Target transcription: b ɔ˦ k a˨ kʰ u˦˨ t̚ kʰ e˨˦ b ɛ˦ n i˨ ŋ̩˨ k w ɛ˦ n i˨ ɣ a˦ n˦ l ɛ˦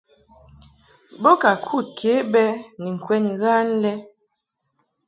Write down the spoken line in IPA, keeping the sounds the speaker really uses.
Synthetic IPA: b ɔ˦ k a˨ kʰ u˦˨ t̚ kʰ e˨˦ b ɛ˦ n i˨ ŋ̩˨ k w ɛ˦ n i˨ ɣ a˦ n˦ l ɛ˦